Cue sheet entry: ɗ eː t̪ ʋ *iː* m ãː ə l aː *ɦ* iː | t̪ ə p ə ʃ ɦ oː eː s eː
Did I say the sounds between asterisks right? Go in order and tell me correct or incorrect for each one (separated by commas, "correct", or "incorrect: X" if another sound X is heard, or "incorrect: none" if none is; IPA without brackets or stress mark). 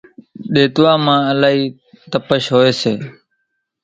incorrect: aː, correct